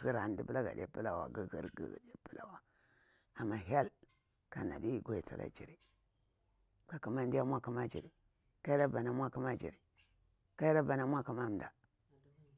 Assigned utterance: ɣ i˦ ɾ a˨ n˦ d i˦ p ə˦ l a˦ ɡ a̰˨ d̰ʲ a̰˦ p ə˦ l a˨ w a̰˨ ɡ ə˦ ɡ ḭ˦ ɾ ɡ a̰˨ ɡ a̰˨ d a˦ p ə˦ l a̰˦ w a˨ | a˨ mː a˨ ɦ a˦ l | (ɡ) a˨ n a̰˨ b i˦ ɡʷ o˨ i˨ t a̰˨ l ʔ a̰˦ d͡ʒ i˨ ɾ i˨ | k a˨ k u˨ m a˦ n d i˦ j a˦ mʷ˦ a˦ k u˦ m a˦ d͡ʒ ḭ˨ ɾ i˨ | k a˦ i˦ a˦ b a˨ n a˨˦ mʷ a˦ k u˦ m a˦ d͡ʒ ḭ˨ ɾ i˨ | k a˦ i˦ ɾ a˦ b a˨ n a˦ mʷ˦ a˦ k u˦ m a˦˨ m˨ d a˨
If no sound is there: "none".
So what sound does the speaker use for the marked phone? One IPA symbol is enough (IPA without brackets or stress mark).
k